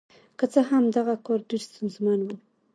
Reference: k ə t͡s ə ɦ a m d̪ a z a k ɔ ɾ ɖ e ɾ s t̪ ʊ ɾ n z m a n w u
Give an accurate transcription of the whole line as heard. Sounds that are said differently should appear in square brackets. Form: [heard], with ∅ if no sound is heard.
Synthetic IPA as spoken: k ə t͡s ə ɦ a m d̪ a [ɣ] a k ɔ ɾ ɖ e ɾ s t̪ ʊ [∅] n z m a n w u